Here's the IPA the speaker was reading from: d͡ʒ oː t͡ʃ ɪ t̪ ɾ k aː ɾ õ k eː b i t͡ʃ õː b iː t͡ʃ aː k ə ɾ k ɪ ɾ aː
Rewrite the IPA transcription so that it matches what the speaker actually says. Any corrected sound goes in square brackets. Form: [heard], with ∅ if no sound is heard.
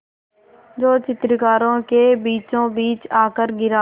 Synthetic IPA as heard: d͡ʒ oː t͡ʃ ɪ t̪ ɾ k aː ɾ [õː] k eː b [iː] t͡ʃ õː b iː t͡ʃ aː k ə ɾ [ɡ] ɪ ɾ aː